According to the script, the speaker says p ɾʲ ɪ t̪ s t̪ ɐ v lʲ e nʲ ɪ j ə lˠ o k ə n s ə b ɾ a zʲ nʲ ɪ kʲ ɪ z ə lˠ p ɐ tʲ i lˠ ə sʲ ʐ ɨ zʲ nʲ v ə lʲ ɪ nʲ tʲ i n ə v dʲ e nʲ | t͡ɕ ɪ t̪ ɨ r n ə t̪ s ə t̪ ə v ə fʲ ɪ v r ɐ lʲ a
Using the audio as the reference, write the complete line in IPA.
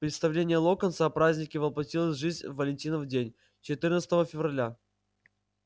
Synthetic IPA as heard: p ɾʲ ɪ t̪ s t̪ ɐ v lʲ e nʲ ɪ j ə lˠ o k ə n s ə p ɾ a zʲ nʲ ɪ kʲ ɪ v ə lˠ p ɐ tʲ i lˠ ə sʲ ʐ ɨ zʲ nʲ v ə lʲ ɪ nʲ tʲ i n ə v dʲ e nʲ | t͡ɕ ɪ t̪ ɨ r n ə t̪ s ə t̪ ə v ə fʲ ɪ v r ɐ lʲ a